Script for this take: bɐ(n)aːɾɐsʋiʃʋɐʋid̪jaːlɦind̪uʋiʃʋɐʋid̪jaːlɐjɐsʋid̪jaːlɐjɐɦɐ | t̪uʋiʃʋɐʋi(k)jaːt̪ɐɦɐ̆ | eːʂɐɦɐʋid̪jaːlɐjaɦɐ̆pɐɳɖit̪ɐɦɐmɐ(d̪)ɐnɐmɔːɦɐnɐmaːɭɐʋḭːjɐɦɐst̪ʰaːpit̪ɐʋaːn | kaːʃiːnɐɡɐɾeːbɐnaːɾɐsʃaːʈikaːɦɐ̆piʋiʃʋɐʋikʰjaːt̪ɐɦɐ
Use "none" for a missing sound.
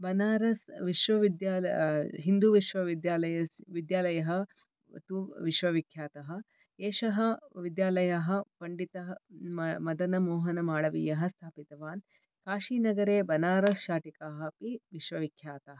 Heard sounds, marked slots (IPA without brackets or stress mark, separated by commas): n, kʰ, d̪